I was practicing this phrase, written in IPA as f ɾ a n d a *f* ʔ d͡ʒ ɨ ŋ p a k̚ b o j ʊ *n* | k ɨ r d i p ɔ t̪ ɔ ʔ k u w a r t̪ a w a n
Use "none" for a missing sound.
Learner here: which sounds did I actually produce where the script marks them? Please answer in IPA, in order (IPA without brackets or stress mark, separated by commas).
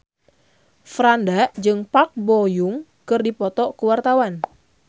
none, ŋ